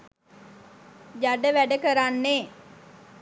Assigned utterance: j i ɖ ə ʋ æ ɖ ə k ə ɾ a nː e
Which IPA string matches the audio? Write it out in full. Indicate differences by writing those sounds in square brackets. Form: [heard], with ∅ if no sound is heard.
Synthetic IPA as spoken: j [a] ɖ ə ʋ æ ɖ ə k ə ɾ a nː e